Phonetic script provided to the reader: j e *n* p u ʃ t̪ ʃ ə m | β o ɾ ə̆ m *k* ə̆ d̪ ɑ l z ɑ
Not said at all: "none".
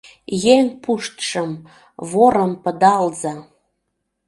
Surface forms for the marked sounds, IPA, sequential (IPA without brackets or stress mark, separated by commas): ŋ, p